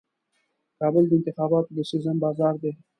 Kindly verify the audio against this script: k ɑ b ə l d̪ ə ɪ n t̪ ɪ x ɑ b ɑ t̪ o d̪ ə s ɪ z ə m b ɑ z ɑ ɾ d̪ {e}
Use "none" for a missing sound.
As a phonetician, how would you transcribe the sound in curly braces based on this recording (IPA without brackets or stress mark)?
e